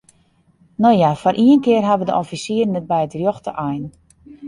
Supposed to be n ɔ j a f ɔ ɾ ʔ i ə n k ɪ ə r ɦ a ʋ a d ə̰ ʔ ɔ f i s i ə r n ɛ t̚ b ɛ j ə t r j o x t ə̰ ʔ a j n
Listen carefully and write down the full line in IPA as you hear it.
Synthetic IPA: n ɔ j a f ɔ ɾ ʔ i ə n k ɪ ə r ɦ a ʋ ə d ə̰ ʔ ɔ f i s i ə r n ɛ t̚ b ɛ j ə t r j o x t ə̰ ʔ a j n